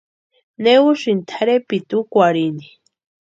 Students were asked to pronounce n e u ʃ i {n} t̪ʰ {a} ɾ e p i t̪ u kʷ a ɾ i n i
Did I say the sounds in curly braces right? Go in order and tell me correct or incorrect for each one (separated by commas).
correct, correct